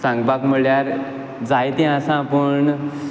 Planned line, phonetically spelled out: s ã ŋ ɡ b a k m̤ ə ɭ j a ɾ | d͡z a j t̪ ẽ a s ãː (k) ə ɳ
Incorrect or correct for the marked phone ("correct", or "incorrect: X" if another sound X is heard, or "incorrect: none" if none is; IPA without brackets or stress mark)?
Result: incorrect: p